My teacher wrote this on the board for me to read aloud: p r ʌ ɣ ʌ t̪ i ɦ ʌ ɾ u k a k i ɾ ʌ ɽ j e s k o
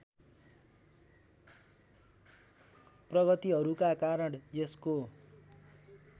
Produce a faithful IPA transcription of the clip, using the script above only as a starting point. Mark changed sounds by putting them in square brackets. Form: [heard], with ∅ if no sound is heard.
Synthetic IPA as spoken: p r ʌ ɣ ʌ t̪ i ɦ ʌ ɾ u k a k [a] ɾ ʌ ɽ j e s k o